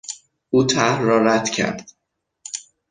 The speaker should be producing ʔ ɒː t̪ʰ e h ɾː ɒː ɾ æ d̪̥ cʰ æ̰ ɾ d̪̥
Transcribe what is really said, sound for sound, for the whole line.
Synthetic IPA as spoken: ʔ uː t̪ʰ æ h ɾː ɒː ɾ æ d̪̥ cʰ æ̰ ɾ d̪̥